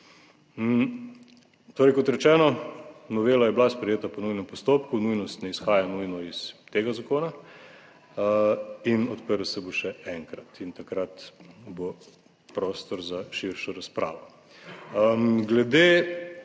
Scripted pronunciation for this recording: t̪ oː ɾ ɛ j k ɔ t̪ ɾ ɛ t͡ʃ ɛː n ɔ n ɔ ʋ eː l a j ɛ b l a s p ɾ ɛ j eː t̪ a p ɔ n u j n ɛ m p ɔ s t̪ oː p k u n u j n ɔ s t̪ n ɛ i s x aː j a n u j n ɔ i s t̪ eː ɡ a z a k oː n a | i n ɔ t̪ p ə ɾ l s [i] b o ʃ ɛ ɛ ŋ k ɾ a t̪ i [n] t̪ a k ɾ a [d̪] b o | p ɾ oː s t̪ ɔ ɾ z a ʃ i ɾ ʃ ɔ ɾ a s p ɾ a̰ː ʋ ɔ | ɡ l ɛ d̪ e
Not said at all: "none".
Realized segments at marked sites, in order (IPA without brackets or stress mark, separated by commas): ɛ, n, t̪